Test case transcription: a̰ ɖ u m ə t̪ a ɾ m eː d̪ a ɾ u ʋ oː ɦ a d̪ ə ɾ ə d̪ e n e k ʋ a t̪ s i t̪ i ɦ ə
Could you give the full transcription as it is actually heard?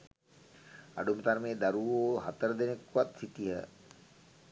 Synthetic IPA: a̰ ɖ u m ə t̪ a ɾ m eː d̪ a ɾ u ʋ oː ɦ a t̪ ə ɾ ə d̪ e n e k ʋ a t̪ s i t̪ i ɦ ə